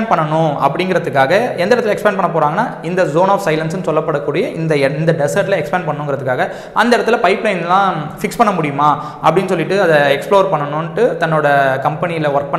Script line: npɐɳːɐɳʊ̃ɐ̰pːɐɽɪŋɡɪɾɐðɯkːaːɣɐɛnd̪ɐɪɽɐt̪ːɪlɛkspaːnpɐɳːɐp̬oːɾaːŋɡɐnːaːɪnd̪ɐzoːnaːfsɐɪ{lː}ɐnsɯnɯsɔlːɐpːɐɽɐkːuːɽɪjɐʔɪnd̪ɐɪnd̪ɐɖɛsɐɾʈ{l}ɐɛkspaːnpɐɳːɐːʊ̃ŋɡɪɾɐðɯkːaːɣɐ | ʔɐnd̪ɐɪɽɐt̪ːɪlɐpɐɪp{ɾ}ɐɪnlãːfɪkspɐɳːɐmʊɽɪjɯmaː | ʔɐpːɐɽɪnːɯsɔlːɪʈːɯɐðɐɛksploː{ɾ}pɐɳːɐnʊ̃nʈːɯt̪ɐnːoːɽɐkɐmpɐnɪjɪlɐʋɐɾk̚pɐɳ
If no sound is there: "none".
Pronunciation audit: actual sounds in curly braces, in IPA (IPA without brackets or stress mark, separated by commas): l, l, l, ɾ